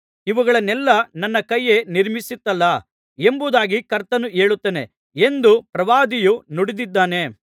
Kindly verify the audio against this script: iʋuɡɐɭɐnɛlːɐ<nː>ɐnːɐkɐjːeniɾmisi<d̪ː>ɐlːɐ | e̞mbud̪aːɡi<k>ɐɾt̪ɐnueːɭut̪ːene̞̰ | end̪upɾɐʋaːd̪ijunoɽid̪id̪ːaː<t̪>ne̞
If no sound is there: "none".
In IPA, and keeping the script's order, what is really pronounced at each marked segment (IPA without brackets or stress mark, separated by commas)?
n, t̪ː, k, none